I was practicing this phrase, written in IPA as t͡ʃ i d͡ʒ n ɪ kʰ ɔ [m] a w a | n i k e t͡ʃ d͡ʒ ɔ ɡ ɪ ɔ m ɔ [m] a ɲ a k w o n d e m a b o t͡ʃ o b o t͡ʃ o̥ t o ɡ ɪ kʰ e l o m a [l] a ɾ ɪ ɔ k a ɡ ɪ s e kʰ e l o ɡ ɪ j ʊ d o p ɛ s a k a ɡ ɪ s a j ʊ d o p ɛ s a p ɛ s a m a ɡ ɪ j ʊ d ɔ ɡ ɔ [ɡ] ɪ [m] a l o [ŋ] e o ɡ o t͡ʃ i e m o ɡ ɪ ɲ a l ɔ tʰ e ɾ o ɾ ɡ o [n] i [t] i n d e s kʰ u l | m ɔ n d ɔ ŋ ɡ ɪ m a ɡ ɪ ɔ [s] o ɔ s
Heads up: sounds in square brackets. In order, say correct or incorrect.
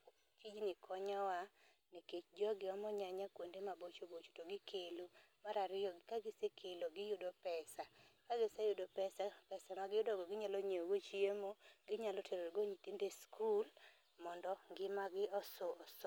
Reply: incorrect, incorrect, incorrect, correct, incorrect, incorrect, incorrect, correct, correct

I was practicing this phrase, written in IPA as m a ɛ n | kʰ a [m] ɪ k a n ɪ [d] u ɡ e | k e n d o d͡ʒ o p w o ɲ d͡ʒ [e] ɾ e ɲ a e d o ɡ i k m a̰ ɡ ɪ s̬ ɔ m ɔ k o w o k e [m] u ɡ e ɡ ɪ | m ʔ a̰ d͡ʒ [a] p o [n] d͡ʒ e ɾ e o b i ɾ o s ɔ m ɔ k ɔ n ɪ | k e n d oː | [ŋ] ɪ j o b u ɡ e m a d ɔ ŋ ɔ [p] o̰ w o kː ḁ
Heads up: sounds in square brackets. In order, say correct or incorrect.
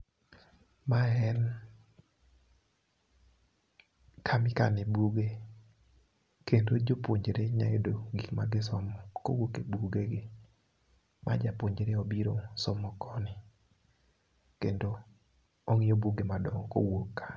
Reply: correct, incorrect, correct, incorrect, correct, incorrect, correct, incorrect

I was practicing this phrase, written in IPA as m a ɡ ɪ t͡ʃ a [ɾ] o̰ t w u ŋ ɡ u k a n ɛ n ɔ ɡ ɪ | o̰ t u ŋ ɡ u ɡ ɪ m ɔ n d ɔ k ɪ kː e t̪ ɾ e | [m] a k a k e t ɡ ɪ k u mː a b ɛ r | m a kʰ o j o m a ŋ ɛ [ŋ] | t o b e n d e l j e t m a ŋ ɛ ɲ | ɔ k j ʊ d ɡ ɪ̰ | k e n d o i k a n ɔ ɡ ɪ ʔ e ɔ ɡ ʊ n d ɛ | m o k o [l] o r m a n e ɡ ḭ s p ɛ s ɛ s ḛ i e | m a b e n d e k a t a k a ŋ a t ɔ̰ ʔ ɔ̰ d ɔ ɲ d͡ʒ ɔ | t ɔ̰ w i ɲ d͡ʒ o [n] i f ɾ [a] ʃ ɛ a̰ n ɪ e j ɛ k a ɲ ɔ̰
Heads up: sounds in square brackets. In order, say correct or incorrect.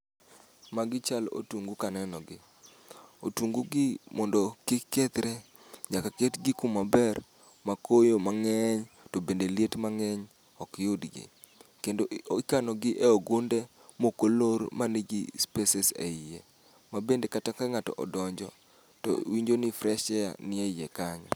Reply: incorrect, incorrect, incorrect, correct, correct, incorrect

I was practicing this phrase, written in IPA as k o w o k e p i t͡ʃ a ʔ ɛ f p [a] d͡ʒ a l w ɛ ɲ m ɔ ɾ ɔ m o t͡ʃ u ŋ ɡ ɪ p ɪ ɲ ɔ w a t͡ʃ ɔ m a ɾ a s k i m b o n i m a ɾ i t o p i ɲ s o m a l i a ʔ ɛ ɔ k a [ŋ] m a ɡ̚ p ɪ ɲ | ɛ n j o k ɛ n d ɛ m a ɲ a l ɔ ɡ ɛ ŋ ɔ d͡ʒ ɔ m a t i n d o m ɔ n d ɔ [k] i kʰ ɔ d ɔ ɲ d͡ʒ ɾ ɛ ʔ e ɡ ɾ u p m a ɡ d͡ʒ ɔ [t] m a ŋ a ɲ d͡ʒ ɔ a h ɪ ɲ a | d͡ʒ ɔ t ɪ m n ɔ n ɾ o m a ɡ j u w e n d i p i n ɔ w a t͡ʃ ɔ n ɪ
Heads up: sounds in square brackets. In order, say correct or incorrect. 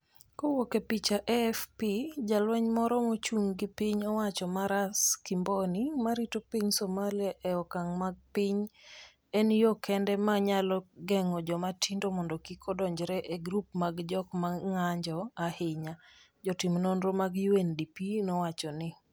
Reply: incorrect, correct, correct, incorrect

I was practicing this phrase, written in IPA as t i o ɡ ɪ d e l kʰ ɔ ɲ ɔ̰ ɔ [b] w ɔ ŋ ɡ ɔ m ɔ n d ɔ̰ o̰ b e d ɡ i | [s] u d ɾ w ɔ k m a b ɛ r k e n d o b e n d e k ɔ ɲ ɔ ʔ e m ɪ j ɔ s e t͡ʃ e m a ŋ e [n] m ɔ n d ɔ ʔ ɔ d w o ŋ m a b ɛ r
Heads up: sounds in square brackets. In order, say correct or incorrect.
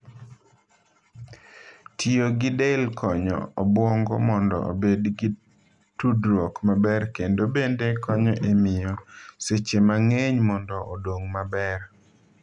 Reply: correct, incorrect, incorrect

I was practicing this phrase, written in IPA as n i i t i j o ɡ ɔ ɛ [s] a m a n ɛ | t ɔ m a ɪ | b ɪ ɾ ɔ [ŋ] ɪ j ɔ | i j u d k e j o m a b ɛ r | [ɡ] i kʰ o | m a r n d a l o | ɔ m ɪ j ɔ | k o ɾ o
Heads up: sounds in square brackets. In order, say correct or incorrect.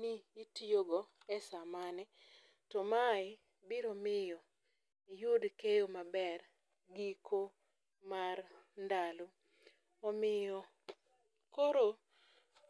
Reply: correct, incorrect, correct

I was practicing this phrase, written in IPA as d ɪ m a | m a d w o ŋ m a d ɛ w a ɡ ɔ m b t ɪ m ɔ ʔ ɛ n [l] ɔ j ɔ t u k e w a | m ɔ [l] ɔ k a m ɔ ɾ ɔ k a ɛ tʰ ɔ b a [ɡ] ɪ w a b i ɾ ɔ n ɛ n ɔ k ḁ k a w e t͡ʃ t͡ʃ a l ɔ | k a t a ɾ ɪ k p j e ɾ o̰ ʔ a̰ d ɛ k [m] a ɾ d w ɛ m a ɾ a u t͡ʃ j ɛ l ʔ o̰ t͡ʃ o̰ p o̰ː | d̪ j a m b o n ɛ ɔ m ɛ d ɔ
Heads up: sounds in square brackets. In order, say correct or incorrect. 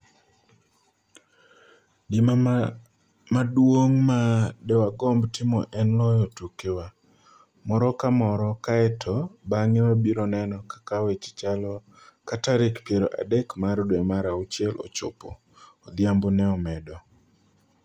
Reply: correct, incorrect, incorrect, correct

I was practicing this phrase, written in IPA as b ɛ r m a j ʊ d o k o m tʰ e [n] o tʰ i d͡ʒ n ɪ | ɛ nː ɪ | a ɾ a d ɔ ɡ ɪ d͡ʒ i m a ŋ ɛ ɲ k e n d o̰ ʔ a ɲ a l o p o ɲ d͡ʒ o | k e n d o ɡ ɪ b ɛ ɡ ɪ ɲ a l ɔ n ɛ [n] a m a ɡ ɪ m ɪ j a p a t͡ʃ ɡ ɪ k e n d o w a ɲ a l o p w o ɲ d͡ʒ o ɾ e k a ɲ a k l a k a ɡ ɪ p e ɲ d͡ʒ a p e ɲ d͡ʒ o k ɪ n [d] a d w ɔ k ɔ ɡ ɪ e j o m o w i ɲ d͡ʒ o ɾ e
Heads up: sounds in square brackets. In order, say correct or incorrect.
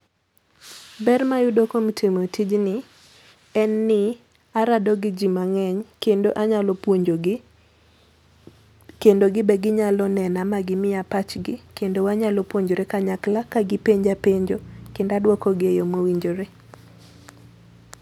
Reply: incorrect, correct, correct

